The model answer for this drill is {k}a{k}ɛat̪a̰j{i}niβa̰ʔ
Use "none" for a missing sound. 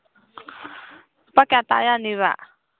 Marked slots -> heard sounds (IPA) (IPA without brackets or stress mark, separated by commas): p, k, a